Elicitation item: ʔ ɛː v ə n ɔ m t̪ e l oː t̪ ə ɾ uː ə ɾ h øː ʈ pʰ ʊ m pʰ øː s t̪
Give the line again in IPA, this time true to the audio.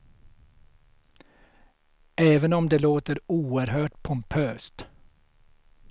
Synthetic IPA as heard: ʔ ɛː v ə n ɔ m d̪ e l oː t̪ ə ɾ uː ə ɾ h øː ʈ pʰ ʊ m pʰ øː s t̪